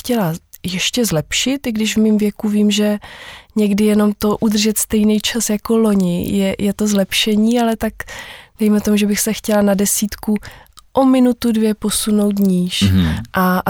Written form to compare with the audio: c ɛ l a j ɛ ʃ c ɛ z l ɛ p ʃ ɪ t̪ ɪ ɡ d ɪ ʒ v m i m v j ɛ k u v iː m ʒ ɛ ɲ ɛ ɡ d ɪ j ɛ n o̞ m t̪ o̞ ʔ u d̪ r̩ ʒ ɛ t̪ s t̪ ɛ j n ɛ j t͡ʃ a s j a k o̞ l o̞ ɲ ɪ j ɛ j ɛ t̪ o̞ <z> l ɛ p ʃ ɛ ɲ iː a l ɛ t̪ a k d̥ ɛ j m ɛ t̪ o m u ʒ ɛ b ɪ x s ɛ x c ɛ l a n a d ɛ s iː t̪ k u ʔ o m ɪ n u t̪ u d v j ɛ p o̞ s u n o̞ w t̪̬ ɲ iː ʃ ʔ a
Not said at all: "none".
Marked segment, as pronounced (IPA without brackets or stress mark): z